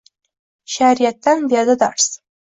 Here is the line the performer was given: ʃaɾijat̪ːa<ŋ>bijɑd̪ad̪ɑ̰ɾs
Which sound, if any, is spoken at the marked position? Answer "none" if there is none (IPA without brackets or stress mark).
n